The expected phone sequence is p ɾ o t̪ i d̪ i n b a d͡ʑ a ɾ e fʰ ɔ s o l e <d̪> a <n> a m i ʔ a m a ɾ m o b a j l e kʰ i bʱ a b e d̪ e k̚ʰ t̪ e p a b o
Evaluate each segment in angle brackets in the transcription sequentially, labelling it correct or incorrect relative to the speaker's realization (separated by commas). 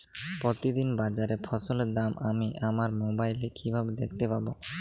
correct, incorrect